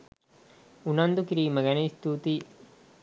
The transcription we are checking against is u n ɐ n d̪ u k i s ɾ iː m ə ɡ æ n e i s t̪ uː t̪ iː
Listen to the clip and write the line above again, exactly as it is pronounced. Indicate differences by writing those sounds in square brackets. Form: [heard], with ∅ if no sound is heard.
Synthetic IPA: u n ɐ n d̪ u k i [∅] ɾ iː m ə ɡ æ n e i s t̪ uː t̪ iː